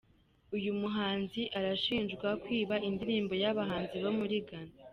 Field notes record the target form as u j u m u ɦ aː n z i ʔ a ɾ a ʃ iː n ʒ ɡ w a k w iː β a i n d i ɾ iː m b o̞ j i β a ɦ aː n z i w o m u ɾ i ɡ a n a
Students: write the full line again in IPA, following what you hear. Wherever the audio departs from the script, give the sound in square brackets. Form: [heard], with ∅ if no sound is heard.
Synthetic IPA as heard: u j u m u ɦ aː n z i ʔ a ɾ a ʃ iː n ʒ ɡ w a k w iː β a i n d i ɾ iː m b o̞ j [a] β a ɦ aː n z i [β] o m u ɾ i ɡ a n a